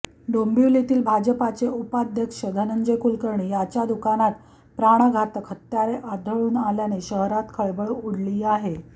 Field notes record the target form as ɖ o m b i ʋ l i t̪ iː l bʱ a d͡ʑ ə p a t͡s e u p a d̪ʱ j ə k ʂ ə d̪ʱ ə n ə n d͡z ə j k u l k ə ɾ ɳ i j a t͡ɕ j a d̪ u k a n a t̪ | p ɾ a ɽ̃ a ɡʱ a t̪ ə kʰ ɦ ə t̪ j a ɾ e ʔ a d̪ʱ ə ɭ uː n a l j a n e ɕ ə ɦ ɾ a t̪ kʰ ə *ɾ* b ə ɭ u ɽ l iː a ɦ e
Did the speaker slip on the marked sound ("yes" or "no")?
yes